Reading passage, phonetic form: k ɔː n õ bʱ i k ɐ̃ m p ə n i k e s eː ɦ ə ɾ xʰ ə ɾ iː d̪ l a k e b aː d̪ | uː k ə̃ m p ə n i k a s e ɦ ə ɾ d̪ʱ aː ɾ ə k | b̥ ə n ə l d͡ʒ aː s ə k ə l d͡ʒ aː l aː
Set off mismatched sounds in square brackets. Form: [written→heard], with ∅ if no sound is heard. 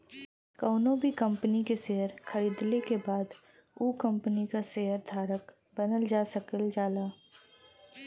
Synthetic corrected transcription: k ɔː n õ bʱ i k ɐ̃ m p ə n i k e s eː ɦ ə ɾ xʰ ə ɾ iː d̪ l [a→e] k e b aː d̪ | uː k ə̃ m p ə n i k a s e ɦ ə ɾ d̪ʱ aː ɾ ə k | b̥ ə n ə l d͡ʒ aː s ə k ə l d͡ʒ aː l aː